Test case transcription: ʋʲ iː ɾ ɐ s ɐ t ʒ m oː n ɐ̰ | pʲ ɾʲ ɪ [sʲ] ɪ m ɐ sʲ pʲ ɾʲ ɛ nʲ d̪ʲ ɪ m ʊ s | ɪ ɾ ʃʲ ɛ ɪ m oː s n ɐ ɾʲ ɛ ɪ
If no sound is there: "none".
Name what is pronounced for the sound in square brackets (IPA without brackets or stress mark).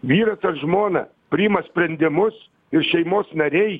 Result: none